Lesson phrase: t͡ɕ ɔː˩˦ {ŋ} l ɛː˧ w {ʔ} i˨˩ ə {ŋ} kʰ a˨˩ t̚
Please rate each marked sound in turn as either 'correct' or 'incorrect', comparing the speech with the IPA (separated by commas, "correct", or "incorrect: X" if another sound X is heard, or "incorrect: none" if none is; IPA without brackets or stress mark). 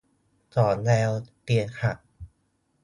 incorrect: n, incorrect: p, incorrect: n